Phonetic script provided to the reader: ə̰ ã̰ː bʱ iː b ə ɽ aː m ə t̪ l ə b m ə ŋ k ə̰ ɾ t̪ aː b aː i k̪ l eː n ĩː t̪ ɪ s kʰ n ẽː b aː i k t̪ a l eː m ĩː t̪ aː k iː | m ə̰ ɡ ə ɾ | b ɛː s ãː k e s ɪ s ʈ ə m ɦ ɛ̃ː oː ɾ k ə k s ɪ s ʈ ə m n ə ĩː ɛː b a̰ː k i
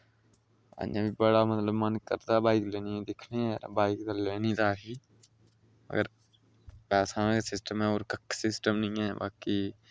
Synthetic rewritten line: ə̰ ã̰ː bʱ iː b ə ɽ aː m ə t̪ l ə b m ə n k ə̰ ɾ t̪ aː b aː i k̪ l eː n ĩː d̪ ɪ kʰ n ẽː b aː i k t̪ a l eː n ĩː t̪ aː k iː | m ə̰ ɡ ə ɾ | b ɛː s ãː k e s ɪ s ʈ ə m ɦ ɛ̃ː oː ɾ k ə k s ɪ s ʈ ə m n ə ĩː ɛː b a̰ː k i